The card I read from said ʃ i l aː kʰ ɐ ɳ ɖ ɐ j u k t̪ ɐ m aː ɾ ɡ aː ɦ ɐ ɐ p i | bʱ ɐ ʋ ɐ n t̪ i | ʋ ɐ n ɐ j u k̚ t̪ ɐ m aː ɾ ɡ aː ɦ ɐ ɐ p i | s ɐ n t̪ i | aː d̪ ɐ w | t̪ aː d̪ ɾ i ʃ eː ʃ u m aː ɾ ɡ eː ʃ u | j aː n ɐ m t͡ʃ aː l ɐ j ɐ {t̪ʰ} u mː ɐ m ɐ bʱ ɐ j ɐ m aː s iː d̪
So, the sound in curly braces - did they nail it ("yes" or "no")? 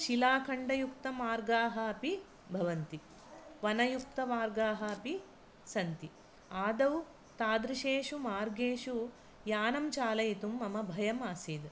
no